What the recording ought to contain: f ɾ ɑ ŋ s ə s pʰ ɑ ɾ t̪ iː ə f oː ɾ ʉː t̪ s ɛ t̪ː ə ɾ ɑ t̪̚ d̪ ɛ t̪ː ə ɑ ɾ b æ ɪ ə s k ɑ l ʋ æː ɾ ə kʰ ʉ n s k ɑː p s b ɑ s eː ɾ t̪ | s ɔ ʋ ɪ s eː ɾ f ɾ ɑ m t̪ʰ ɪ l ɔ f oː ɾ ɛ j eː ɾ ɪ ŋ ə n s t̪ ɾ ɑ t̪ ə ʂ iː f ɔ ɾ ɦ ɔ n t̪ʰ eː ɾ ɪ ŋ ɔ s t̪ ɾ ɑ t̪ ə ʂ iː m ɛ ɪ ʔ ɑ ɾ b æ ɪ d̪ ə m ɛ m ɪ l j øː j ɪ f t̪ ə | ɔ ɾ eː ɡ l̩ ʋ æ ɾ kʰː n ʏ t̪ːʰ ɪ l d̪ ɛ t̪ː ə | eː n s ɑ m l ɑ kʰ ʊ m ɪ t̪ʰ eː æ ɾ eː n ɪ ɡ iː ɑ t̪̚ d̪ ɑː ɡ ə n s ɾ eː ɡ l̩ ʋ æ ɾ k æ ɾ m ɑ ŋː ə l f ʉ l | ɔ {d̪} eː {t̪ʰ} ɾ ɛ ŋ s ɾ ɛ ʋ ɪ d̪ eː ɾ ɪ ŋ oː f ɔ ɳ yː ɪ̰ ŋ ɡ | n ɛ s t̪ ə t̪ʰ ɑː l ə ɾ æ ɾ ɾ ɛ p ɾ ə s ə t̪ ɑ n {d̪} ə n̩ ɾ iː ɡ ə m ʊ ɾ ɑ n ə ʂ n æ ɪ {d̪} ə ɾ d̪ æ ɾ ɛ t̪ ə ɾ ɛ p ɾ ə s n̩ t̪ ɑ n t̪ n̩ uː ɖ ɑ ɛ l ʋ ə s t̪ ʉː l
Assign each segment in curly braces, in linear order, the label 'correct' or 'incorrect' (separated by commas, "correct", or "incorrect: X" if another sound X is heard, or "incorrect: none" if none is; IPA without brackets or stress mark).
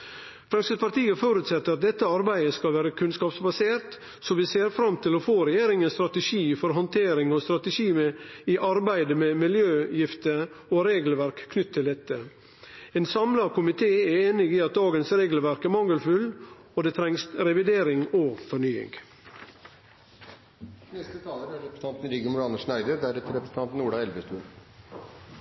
correct, correct, incorrect: t̪, correct